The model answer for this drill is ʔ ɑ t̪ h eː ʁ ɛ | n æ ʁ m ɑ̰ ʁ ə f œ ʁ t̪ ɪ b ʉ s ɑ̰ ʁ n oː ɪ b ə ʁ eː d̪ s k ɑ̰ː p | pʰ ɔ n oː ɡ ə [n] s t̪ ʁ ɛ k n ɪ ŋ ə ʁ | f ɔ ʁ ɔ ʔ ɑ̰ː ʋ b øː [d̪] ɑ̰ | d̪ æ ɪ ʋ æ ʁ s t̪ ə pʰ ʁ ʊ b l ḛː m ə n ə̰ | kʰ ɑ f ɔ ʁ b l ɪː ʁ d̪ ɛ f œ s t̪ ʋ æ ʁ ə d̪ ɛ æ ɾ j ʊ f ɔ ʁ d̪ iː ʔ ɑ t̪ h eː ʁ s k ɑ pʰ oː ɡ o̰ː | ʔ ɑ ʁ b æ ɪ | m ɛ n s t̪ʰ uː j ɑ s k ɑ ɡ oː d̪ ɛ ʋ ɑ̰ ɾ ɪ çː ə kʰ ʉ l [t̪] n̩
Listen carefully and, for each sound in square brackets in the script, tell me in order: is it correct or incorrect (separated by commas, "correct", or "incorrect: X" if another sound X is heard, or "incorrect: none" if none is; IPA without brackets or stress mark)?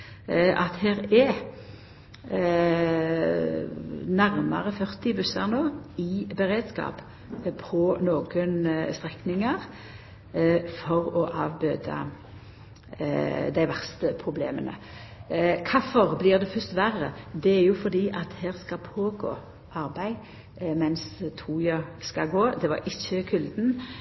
correct, correct, incorrect: d̪